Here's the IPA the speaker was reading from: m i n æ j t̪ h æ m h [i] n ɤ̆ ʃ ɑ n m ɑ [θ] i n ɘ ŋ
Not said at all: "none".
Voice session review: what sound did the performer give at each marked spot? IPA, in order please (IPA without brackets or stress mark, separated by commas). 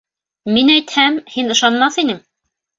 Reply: i, θ